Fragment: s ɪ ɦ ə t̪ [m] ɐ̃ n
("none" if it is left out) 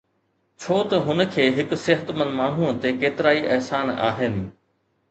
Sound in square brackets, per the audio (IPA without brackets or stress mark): m